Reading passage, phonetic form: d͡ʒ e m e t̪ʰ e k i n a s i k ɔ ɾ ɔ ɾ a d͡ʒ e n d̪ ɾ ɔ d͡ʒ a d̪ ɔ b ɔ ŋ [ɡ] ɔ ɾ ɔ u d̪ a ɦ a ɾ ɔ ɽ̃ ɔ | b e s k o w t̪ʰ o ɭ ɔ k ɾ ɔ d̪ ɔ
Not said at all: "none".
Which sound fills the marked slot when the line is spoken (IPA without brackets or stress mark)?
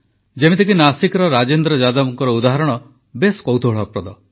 k